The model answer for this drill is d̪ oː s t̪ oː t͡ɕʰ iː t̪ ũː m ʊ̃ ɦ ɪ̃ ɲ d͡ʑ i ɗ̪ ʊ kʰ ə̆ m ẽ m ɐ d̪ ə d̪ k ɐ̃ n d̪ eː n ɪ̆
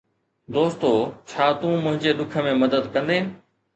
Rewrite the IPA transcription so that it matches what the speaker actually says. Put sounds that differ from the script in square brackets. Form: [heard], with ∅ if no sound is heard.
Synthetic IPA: d̪ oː s t̪ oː t͡ɕʰ [aː] t̪ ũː m ʊ̃ ɦ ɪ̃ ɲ d͡ʑ [e] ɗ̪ ʊ kʰ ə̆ m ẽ m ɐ d̪ ə d̪ k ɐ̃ n d̪ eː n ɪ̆